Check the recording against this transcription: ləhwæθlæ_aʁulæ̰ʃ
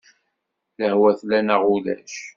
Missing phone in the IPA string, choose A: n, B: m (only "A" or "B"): A